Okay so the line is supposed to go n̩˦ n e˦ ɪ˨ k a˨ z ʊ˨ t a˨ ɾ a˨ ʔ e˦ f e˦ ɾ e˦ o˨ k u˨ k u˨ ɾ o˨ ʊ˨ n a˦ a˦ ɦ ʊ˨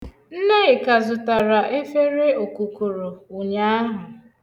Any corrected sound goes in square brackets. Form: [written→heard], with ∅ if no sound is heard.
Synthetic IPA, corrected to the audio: n̩˦ n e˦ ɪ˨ k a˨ z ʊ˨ t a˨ ɾ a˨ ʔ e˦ f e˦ ɾ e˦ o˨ k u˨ k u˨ ɾ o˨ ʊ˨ [n→ɲ] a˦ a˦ ɦ ʊ˨